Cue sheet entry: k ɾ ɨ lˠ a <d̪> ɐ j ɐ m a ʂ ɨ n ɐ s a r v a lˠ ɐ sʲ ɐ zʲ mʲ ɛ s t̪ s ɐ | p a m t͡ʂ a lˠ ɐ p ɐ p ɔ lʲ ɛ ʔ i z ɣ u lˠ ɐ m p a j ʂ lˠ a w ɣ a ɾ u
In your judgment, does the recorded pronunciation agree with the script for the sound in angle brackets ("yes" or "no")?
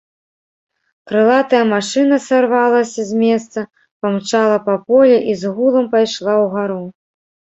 no